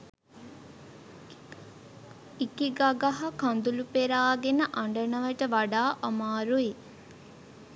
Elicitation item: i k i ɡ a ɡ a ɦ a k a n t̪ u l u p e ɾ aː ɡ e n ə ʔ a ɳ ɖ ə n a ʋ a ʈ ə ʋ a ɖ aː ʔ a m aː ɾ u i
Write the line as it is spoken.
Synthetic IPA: i k i ɡ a ɡ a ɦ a k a n d̪ u l u p e ɾ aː ɡ e n ə ʔ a ɳ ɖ ə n ə ʋ ə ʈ ə ʋ a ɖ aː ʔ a m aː ɾ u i